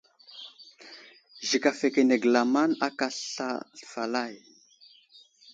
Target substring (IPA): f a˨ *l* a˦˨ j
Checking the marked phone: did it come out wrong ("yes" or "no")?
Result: no